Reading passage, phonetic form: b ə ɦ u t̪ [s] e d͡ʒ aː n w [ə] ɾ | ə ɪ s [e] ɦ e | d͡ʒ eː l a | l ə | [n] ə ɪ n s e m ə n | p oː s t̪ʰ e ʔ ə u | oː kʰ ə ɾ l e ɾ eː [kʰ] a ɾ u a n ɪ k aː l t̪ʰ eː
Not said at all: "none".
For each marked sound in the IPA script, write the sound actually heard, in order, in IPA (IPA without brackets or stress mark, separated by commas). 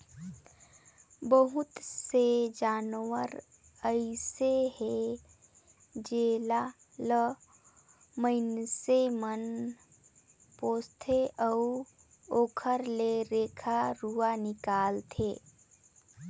s, ə, e, m, kʰ